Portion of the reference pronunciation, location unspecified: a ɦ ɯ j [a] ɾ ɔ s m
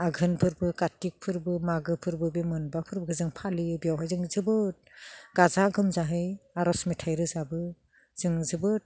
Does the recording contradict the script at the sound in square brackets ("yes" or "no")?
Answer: no